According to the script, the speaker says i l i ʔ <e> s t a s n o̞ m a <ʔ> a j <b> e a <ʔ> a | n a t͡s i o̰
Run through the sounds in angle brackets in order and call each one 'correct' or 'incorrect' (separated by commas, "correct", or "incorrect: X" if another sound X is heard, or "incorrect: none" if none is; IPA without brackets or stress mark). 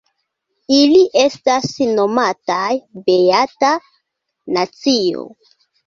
correct, incorrect: t, correct, incorrect: t